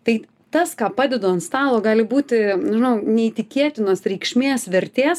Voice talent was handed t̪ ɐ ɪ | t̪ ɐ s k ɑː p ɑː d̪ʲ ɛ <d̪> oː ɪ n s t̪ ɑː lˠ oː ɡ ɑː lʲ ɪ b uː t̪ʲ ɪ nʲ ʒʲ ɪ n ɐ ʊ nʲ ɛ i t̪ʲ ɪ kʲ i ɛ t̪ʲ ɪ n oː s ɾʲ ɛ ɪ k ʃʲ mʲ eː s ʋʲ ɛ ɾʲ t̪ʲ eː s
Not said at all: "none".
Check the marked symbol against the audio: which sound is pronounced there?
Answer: d̪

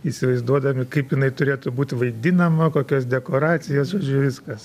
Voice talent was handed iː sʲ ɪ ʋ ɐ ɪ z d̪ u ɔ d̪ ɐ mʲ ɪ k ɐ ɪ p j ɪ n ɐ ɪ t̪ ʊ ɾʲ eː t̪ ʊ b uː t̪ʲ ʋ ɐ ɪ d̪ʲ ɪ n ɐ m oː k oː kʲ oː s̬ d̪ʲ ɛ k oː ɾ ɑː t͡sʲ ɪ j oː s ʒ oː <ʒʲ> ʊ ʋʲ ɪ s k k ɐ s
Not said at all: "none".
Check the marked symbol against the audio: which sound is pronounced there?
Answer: d͡ʒʲ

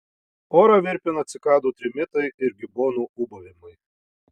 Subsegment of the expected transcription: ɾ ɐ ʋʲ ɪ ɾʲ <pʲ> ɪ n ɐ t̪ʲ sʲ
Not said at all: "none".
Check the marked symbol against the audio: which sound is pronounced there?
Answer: pʲ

